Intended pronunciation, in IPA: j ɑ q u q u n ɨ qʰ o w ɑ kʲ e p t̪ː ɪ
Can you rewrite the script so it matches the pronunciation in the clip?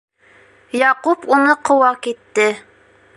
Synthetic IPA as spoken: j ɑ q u p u n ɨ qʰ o w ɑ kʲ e t̪ː ɪ